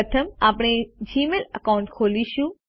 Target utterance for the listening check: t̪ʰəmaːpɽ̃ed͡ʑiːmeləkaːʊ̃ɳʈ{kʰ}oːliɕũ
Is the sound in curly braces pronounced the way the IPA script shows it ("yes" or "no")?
yes